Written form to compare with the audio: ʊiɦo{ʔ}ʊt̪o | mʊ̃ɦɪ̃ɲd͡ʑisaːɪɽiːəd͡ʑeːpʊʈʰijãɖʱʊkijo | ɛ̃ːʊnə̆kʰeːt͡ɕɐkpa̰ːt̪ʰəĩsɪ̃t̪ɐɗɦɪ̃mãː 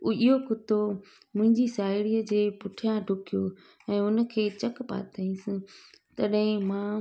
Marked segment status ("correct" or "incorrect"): incorrect